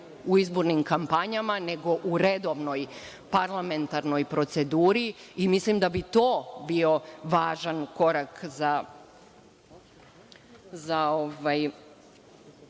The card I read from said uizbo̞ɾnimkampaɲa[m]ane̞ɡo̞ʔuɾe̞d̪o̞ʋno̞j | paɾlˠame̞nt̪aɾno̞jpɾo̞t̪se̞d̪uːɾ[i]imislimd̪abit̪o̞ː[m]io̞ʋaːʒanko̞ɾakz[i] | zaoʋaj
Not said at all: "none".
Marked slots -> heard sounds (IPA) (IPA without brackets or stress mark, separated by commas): m, i, b, a